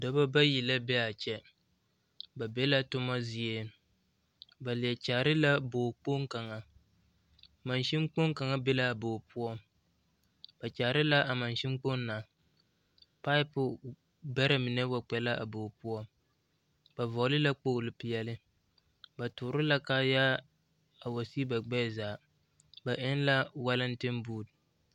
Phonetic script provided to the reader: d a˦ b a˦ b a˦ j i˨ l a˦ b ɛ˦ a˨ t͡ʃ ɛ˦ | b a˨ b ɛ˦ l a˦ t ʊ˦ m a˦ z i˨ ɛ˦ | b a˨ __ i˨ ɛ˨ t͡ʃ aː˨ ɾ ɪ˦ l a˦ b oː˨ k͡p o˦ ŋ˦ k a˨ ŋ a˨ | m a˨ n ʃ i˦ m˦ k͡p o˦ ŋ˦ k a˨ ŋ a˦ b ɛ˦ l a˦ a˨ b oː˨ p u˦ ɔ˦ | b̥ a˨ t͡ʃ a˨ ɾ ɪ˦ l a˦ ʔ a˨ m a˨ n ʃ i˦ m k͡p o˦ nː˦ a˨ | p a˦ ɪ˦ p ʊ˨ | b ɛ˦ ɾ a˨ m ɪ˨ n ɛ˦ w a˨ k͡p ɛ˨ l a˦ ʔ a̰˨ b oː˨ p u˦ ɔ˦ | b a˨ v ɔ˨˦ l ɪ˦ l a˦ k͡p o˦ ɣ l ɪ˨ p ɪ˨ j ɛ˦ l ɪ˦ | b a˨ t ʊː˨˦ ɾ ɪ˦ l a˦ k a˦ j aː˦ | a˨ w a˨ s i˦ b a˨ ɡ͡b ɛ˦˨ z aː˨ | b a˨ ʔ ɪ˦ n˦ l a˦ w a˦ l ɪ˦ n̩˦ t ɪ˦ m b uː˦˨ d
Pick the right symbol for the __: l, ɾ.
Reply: l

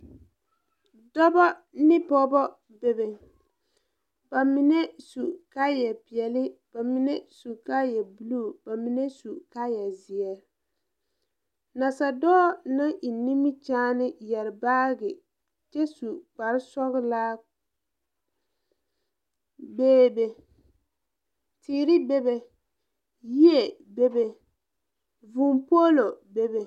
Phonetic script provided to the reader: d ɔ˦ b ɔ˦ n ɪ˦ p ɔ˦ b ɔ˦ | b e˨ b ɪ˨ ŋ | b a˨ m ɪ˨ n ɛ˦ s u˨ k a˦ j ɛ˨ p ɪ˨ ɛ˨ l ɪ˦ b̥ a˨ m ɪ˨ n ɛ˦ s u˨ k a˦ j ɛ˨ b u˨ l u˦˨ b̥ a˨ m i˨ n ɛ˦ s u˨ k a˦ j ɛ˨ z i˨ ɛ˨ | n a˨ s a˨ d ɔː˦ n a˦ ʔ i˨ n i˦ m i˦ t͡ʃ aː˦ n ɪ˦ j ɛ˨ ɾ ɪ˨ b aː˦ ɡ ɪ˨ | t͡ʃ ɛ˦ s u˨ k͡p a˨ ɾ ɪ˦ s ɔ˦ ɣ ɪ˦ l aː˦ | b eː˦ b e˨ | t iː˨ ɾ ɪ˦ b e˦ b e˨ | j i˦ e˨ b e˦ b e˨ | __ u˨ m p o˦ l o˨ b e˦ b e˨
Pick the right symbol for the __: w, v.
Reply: v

